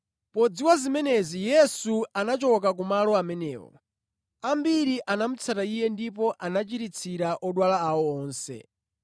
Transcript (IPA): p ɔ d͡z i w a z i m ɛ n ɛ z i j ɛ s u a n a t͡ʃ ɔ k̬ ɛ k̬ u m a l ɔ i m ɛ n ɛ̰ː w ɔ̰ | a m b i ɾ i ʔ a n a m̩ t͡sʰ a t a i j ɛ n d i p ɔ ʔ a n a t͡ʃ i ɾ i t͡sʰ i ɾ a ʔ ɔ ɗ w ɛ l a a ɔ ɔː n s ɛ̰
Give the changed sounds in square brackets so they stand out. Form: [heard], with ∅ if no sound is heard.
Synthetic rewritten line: p ɔ d͡z i w a z i m ɛ n ɛ z i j ɛ s u a n a t͡ʃ ɔ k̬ [a] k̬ u m a l ɔ [a] m ɛ n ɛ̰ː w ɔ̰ | a m b i ɾ i ʔ a n a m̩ t͡sʰ a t a i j ɛ n d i p ɔ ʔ a n a t͡ʃ i ɾ i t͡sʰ i ɾ a ʔ ɔ ɗ w [a] l a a ɔ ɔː n s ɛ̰